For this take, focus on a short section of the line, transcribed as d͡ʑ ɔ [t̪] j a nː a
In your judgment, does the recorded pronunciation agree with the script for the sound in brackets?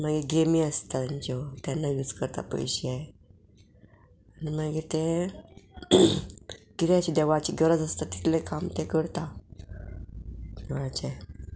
yes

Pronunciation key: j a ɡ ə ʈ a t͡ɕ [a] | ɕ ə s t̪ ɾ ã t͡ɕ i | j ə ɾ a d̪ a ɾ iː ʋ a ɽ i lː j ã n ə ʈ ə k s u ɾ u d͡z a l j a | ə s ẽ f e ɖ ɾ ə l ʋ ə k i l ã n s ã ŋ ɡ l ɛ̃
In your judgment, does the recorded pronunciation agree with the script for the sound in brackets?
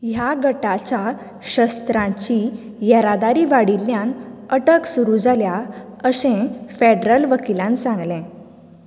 yes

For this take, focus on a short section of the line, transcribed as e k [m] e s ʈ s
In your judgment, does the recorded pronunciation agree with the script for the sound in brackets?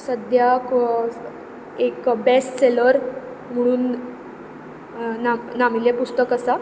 no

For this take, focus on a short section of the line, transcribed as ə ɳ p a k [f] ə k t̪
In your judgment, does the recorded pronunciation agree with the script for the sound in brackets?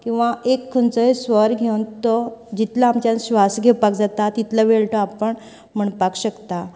no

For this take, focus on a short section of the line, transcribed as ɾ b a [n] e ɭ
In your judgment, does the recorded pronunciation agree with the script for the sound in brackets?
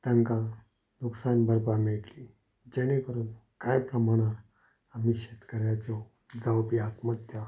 no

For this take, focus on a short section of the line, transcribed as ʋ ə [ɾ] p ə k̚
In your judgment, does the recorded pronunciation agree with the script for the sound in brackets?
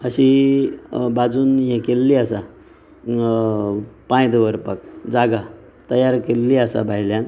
yes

